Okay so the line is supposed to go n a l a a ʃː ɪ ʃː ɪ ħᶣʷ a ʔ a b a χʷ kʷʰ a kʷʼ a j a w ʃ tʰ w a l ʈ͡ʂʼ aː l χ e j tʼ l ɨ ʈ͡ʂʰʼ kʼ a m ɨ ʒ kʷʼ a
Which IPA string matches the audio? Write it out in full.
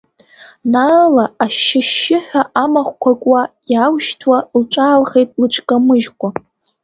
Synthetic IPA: n a l a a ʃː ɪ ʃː ɪ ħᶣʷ a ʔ a m a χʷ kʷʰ a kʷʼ a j a w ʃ tʰ w a l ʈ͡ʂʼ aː l χ e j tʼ l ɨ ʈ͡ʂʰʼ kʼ a m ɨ ʒ kʷʼ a